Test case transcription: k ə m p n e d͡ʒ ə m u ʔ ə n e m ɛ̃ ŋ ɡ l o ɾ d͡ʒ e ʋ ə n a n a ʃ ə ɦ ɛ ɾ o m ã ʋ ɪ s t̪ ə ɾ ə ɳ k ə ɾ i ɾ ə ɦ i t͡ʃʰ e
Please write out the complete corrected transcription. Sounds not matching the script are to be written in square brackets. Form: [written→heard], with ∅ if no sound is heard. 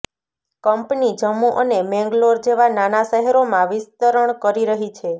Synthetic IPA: k ə m p n [e→i] d͡ʒ ə m u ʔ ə n e m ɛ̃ ŋ ɡ l o ɾ d͡ʒ e ʋ [ə→a] n a n a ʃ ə ɦ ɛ ɾ o m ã ʋ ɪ s t̪ ə ɾ ə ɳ k ə ɾ i ɾ ə ɦ i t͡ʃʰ e

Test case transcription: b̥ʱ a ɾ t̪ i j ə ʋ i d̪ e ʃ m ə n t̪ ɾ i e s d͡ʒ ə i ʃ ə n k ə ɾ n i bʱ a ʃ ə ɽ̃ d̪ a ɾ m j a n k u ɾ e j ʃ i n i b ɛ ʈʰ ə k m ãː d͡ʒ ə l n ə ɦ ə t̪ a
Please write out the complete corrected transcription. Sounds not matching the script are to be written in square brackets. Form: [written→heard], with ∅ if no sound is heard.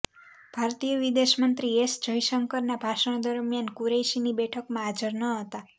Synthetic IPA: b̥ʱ a ɾ t̪ i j ə ʋ i d̪ e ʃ m ə n t̪ ɾ i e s d͡ʒ ə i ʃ ə [n→ŋ] k ə ɾ n [i→a] bʱ a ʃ ə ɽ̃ d̪ [a→ə] ɾ m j a n k u ɾ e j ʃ i n i b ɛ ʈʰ ə k m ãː d͡ʒ ə [l→ɾ] n ə ɦ ə t̪ a

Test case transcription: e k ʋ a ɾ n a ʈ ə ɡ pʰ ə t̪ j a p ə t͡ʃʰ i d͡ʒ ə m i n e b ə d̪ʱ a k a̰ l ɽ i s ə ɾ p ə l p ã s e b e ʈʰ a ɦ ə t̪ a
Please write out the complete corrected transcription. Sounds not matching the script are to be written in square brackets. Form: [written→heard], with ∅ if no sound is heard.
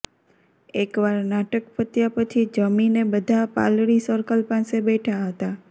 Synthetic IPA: e k ʋ a ɾ n a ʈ ə [ɡ→k] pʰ ə t̪ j a p ə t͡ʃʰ i d͡ʒ ə m i n e b ə d̪ʱ a [k→p] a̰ l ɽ i s ə ɾ [p→k] ə l p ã s e b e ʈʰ a ɦ ə t̪ a

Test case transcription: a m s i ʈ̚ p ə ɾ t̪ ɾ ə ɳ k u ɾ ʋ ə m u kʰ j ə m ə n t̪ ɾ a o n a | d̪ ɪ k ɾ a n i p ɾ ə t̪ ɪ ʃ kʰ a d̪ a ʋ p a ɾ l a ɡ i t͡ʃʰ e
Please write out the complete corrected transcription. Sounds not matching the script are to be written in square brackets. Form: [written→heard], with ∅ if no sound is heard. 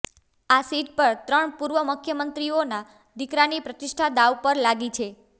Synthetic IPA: a [m→∅] s i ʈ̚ p ə ɾ t̪ ɾ ə ɳ [k→p] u ɾ ʋ ə m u kʰ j ə m ə n t̪ ɾ [a→i] o n a | d̪ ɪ k ɾ a n i p ɾ ə t̪ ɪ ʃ [kʰ→ʈʰ] a d̪ a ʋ p [a→ə] ɾ l a ɡ i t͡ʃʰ e

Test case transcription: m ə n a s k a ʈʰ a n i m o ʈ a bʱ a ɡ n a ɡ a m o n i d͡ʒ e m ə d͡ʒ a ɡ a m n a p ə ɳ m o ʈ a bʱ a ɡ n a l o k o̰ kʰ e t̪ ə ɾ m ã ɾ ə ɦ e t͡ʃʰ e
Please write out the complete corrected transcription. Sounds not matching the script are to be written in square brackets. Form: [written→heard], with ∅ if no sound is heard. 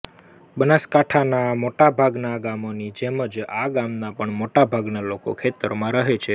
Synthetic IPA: [m→b] ə n a s k a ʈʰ a n [i→a] m o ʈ a bʱ a ɡ n a ɡ a m o n i d͡ʒ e m ə d͡ʒ a ɡ a m n a p ə ɳ m o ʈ a bʱ a ɡ n a l o k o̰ kʰ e t̪ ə ɾ m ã ɾ ə ɦ e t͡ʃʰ e

